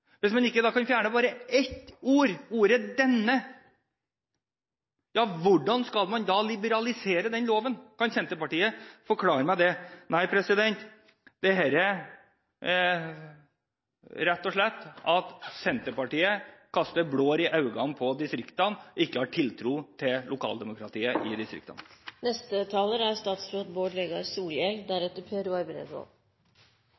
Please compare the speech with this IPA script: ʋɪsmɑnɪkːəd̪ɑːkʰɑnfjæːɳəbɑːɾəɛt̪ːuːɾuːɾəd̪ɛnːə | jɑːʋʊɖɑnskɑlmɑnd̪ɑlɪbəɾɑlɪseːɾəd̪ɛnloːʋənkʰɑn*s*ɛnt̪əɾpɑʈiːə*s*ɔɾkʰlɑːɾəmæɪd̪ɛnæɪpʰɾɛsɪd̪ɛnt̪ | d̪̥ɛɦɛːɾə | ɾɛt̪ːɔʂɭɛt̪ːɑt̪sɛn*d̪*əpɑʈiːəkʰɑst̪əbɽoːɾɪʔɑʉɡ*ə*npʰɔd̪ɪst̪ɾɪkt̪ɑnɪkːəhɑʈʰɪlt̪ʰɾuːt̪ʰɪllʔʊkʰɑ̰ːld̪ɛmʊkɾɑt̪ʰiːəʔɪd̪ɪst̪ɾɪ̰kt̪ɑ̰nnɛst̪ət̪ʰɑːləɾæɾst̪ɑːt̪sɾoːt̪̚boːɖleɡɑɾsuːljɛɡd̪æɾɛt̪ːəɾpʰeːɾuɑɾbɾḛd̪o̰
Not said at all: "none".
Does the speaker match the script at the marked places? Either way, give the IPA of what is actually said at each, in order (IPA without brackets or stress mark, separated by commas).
s, f, t̪, ɑ